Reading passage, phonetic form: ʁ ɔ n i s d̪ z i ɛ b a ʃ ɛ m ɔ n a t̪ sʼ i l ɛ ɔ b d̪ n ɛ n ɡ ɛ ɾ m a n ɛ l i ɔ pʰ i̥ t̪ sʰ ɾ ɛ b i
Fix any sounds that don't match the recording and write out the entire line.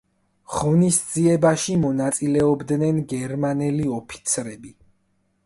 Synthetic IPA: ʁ ɔ n i s d̪ z i ɛ b a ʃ i m ɔ n a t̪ sʼ i l ɛ ɔ b d̪ n ɛ n ɡ ɛ ɾ m a n ɛ l i ɔ pʰ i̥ t̪ sʰ ɾ ɛ b i